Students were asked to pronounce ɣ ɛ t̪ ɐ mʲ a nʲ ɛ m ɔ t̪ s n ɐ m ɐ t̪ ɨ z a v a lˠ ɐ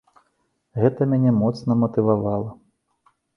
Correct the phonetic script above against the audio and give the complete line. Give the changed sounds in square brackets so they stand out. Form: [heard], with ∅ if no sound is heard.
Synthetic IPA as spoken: ɣ ɛ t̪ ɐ mʲ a nʲ ɛ m ɔ t̪ s n ɐ m ɐ t̪ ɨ [v] a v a lˠ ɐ